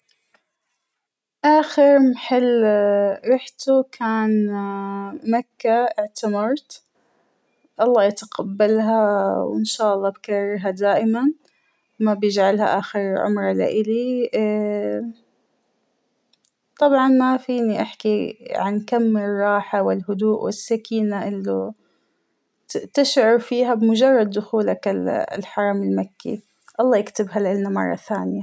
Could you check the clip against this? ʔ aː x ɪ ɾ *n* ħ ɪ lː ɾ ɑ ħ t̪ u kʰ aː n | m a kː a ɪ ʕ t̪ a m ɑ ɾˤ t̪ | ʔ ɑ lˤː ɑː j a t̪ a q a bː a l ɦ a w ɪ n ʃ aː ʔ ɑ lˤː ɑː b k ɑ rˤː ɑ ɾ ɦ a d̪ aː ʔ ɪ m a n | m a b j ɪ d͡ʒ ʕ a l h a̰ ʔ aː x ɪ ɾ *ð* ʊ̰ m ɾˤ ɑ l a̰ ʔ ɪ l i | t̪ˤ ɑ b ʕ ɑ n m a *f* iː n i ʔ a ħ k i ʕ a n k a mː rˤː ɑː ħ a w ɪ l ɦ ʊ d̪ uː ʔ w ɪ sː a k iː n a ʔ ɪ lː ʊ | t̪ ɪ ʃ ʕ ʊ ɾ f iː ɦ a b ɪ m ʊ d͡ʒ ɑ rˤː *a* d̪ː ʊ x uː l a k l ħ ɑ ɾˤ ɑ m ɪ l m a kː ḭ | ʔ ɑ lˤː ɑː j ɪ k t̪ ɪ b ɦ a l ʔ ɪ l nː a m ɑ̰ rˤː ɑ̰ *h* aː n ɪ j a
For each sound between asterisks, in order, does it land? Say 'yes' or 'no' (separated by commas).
no, no, yes, no, no